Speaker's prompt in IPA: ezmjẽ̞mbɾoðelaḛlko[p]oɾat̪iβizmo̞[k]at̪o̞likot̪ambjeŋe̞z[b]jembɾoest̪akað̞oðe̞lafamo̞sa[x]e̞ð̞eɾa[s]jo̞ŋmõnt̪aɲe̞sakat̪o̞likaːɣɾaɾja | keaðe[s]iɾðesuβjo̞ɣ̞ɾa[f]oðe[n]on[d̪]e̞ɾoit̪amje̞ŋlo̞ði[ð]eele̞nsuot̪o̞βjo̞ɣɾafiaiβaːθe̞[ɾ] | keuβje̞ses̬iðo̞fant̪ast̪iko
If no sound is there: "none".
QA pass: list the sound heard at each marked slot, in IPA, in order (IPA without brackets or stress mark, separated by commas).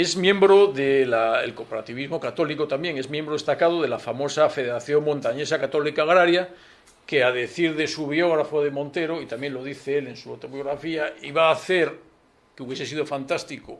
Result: p, k, m, f, θ, θ, f, m, t̪, θ, ɾ